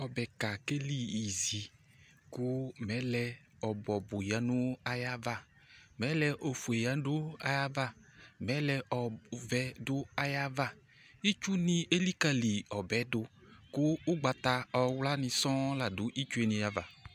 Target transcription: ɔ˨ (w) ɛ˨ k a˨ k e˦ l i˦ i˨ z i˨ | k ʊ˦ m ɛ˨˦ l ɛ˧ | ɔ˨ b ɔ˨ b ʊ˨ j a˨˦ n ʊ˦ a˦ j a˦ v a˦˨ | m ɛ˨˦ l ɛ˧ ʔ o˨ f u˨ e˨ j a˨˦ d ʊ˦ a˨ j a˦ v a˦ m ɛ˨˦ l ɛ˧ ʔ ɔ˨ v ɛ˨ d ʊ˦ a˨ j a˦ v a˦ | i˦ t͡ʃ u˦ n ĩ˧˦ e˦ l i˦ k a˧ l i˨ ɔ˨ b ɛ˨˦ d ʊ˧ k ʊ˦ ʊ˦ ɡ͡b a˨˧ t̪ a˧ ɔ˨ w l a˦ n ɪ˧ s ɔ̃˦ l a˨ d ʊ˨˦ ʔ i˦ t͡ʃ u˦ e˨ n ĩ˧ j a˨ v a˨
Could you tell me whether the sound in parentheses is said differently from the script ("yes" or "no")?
yes